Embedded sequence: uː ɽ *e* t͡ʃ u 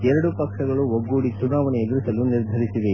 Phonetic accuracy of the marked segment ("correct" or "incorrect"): incorrect